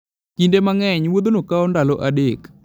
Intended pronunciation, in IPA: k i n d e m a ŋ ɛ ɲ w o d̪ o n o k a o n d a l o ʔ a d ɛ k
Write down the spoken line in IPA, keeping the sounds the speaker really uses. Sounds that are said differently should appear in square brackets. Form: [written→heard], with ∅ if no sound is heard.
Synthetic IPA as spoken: k i n d e m a ŋ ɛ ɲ w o d̪ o n o k a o n d a l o ʔ a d [ɛ→e] k